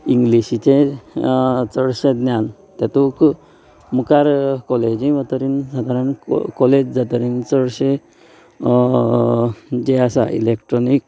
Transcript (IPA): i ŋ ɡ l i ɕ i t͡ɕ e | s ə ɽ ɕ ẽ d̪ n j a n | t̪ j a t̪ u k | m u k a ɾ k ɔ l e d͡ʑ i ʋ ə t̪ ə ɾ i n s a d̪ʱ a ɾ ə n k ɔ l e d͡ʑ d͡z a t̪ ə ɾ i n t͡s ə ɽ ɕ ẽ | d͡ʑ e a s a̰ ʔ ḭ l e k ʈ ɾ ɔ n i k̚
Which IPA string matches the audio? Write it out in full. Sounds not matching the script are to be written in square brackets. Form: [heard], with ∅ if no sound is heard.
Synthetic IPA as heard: i ŋ ɡ l i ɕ i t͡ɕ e | [t͡s] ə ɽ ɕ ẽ d̪ n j a n | t̪ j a t̪ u k | m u k a ɾ k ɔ l e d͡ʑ i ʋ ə t̪ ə ɾ i n s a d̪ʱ a ɾ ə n k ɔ l e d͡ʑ d͡z a t̪ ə ɾ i n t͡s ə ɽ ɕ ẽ | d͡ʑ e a s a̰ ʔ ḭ l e k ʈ ɾ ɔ n i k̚